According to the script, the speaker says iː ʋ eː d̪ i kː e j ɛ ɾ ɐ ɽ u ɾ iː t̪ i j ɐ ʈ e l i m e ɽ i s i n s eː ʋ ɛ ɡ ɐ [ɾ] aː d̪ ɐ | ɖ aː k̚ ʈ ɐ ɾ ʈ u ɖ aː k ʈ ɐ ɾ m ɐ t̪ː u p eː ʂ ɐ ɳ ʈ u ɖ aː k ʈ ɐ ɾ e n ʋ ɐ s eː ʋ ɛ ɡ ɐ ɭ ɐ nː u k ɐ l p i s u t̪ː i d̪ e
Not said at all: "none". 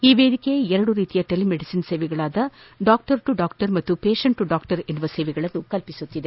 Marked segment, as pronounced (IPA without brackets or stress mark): ɭ